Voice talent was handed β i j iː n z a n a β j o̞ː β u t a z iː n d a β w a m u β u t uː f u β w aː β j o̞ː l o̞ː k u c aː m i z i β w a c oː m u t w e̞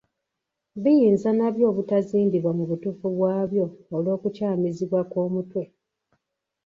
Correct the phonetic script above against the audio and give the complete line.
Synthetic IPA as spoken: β i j iː n z a n a β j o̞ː β u t a z iː n d i β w a m u β u t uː f u β w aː β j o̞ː l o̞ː k u c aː m i z i β w a k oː m u t w e̞

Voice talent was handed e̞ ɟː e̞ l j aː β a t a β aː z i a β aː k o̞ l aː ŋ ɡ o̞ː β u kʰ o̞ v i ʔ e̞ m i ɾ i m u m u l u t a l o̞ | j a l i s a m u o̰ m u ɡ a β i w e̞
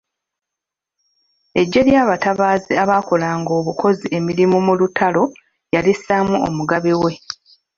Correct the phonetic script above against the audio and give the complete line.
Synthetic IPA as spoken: e̞ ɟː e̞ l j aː β a t a β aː z i a β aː k o̞ l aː ŋ ɡ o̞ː β u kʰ o̞ z i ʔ e̞ m i ɾ i m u m u l u t a l o̞ | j a l i s a m u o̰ m u ɡ a β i w e̞

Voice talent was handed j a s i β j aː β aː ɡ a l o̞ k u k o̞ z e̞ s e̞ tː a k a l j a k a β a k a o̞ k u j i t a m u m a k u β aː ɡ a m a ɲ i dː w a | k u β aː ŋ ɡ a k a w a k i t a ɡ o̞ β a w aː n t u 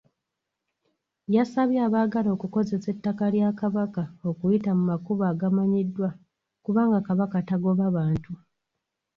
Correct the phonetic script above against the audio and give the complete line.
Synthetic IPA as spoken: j a s a β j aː β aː ɡ a l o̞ k u k o̞ z e̞ s e̞ tː a k a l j a k a β a k a o̞ k u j i t a m u m a k u β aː ɡ a m a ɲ i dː w a | k u β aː ŋ ɡ a k a β a k a t a ɡ o̞ β a β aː n t u

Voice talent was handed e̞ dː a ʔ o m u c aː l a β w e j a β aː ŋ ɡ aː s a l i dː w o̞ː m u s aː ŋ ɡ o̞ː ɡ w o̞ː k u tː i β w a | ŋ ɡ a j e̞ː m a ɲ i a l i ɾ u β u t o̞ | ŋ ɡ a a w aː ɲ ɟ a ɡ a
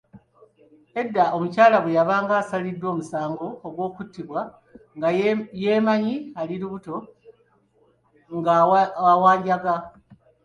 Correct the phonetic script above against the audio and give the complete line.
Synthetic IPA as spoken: e̞ dː a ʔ o m u c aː l a β w e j a β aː ŋ ɡ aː s a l i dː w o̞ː m u s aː ŋ ɡ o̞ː ɡ w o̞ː k u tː i β w a | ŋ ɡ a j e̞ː m a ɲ i a l i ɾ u β u t o̞ | ŋ ɡ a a w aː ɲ ɟ a ɡ a

